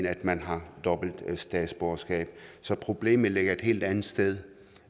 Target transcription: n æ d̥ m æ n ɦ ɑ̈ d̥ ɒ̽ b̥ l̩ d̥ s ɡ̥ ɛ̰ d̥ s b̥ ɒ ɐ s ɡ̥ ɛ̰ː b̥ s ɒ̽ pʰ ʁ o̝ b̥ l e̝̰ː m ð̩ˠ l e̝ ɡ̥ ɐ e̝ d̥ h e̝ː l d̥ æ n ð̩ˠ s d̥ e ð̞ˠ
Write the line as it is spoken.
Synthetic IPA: n æ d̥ m æ n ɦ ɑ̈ d̥ ɒ̽ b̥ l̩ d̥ s d̥ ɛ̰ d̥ s b̥ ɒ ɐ s ɡ̥ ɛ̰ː b̥ s ɒ̽ pʰ ʁ o̝ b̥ l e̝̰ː m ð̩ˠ l e̝ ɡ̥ ɐ e̝ d̥ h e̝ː l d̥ æ n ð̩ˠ s d̥ e ð̞ˠ